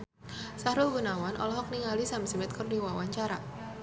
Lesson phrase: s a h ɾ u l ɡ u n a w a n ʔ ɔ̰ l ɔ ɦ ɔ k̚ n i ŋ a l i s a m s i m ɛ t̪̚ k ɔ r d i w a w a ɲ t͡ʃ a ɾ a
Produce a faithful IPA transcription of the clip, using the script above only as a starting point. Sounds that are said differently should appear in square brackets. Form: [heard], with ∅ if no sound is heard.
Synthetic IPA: s a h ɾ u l ɡ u n a w a n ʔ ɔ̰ l ɔ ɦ ɔ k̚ n i ŋ a l i s a m s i m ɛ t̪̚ k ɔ r d i w a w a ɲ t͡ʃ a ɾ a

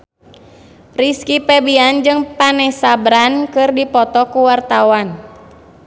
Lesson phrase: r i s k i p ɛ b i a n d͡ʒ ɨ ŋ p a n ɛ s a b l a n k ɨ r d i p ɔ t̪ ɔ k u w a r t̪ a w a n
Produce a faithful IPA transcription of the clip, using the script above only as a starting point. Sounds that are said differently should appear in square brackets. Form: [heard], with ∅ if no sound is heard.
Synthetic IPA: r i s k i p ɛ b i a n d͡ʒ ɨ ŋ p a n ɛ s a b [ɾ] a n k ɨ r d i p ɔ t̪ ɔ k u w a r t̪ a w a n

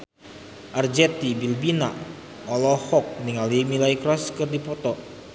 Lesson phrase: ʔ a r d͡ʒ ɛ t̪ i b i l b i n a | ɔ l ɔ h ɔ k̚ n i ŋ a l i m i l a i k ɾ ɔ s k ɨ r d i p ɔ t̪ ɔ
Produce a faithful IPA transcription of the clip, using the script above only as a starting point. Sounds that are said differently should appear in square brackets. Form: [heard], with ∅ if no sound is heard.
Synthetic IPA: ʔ a r d͡ʒ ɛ t̪ i b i l b i n a | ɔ l ɔ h ɔ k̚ n i ŋ a l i m i l a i k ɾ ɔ s k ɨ r d i p ɔ t̪ ɔ

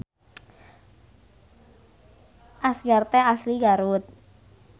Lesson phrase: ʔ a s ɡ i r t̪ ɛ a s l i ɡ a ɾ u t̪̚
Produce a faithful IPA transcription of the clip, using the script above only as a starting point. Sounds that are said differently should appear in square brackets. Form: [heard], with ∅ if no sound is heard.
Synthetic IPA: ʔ a s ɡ [a] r t̪ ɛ a s l i ɡ a ɾ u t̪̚

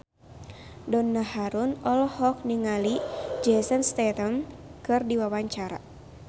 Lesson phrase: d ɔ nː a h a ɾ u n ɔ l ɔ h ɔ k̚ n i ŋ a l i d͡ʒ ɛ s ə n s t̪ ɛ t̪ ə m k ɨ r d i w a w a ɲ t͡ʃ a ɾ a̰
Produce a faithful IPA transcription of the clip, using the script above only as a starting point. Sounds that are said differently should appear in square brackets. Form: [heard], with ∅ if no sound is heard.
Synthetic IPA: d ɔ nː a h a ɾ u n ɔ l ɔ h ɔ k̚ n i ŋ a l i d͡ʒ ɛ s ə n s t̪ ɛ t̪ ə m k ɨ r d i w a w a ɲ t͡ʃ a ɾ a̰

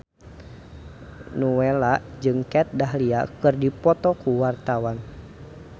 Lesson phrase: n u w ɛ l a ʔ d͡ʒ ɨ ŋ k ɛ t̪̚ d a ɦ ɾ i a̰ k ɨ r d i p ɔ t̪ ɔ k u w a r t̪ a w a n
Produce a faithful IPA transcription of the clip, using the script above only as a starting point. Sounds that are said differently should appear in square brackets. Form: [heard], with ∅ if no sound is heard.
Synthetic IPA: n u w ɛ l a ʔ d͡ʒ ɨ ŋ k ɛ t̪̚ d a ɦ [l] i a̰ k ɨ r d i p ɔ t̪ ɔ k u w a r t̪ a w a n

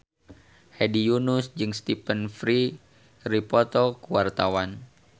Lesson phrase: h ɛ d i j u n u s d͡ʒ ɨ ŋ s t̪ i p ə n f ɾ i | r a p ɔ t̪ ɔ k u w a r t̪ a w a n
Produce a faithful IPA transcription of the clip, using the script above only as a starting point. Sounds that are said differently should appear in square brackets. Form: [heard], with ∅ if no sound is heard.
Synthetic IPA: h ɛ d i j u n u s d͡ʒ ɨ ŋ s t̪ i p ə n f ɾ i | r [i] p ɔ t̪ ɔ k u w a r t̪ a w a n

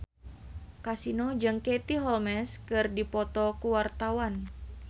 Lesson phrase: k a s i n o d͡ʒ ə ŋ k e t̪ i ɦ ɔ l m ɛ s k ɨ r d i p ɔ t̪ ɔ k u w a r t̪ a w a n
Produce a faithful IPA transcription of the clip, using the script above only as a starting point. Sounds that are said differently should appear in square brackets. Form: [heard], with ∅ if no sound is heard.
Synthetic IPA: k a s i n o d͡ʒ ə ŋ k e t̪ i ɦ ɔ l m ɛ s k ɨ r d i p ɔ t̪ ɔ k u w a r t̪ a w a n

